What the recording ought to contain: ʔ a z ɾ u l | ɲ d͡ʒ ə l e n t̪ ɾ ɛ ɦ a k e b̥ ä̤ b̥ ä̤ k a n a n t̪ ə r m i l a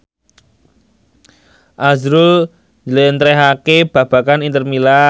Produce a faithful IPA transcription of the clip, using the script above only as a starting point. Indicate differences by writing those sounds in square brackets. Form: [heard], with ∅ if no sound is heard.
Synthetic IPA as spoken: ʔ a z ɾ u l | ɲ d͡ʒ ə l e n t̪ ɾ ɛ ɦ a k e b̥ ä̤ b̥ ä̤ k a n [i] n t̪ ə r m i l a